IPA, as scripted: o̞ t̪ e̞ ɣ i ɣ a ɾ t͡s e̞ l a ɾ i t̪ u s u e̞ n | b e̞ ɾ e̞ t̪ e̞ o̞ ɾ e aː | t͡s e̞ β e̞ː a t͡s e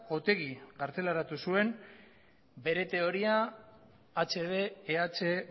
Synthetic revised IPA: o̞ t̪ e̞ ɣ i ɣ a ɾ t͡s e̞ l a ɾ a t̪ u s u e̞ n | b e̞ ɾ e̞ t̪ e̞ o̞ ɾ i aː | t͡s e̞ β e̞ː a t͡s e